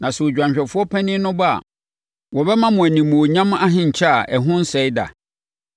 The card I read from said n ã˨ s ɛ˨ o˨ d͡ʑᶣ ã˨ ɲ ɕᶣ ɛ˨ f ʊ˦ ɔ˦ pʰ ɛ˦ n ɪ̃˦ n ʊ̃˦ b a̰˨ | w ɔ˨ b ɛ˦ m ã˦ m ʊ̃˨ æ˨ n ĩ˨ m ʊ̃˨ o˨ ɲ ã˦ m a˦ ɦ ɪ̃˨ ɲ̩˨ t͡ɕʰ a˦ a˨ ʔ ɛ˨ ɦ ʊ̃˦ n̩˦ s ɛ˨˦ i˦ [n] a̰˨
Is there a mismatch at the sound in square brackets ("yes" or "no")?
yes